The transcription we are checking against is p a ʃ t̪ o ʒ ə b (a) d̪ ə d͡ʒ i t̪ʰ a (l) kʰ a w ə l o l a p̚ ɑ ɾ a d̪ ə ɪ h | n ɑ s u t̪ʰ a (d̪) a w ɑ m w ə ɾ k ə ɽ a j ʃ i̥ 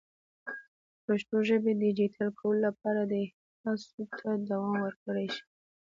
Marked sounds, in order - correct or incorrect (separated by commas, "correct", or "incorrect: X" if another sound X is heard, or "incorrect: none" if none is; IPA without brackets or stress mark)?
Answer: incorrect: e, correct, correct